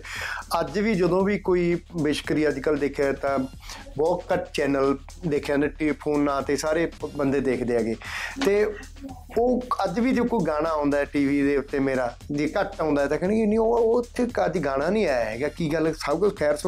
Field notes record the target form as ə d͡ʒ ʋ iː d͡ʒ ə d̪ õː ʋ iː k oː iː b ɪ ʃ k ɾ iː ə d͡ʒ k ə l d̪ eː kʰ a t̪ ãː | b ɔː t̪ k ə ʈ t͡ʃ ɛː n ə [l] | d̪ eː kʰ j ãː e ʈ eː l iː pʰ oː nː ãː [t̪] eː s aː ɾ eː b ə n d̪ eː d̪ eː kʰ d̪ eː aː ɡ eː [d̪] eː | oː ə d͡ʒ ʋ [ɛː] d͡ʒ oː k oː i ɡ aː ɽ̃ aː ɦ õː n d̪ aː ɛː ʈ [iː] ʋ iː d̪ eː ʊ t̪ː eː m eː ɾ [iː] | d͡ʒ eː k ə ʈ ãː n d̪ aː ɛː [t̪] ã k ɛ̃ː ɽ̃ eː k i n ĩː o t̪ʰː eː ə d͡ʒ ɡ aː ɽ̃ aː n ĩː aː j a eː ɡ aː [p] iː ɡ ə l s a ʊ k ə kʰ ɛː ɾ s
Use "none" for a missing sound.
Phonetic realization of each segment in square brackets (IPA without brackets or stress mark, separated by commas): l, t̪, t̪, iː, iː, aː, t̪, k